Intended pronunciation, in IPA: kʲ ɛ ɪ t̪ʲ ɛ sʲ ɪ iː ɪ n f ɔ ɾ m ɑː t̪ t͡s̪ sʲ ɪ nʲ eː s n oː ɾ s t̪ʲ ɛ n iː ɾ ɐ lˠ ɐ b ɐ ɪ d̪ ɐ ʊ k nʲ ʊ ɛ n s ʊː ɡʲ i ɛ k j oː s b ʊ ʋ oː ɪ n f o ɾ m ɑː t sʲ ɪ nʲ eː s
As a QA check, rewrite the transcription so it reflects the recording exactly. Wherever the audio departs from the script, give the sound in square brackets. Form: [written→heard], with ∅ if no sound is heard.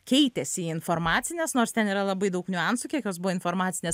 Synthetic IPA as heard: kʲ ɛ ɪ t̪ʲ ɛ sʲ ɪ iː ɪ n f [ɔ→o] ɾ m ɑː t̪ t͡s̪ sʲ ɪ nʲ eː s n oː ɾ s t̪ʲ ɛ n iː ɾ ɐ lˠ ɐ b ɐ ɪ d̪ ɐ ʊ k nʲ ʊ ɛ n s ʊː [ɡʲ→kʲ] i ɛ k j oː s b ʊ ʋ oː ɪ n f o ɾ m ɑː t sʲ ɪ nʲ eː s